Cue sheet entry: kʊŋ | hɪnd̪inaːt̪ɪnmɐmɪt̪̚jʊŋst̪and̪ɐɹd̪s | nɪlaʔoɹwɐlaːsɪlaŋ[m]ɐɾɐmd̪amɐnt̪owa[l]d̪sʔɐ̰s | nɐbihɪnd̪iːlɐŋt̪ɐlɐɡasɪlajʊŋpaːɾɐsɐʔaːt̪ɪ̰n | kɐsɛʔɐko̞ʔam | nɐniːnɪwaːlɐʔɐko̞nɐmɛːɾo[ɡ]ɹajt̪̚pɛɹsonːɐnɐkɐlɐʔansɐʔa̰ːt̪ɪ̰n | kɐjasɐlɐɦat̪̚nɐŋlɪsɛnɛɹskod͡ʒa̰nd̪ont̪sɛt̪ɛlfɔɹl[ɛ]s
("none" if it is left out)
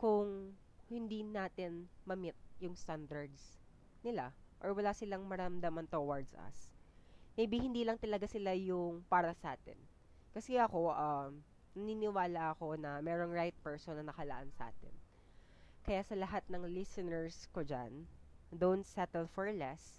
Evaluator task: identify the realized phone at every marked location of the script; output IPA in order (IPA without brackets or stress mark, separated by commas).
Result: m, ɹ, ŋ, ɛ